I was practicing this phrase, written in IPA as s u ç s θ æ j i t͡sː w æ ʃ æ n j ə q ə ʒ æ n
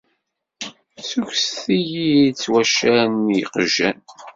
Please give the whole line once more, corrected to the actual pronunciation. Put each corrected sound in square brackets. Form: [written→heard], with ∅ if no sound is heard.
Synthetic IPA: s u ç s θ [æ→i] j i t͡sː w æ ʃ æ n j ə q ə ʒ æ n